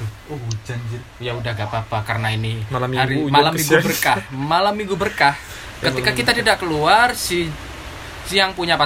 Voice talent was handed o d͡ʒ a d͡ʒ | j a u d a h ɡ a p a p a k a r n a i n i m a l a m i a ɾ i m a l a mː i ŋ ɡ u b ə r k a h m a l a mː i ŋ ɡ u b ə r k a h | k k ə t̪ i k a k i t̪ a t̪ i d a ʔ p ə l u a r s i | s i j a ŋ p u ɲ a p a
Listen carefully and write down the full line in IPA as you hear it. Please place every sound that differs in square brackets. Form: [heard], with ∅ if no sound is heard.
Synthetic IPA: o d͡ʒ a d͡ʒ | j a u d a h ɡ a p a p a k a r n a i n i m a l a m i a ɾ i m a l a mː i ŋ ɡ u b ə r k a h m a l a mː i ŋ ɡ u b ə r k a h | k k ə t̪ i k a k i t̪ a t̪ i d a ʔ [k] ə l u a r s i | s i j a ŋ p u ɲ a p a